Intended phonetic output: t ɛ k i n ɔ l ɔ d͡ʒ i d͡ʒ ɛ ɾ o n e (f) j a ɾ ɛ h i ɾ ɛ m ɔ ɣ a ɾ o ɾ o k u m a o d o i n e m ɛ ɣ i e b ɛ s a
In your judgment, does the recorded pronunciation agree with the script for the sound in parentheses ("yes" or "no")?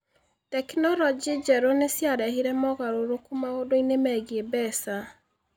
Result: no